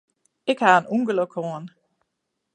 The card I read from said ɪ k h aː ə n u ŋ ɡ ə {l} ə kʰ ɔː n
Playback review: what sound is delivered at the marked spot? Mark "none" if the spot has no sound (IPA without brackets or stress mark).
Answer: l